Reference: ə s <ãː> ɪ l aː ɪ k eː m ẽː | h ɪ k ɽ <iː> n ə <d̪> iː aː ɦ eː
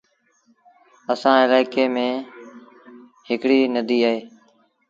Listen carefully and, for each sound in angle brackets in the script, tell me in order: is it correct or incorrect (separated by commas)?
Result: correct, correct, correct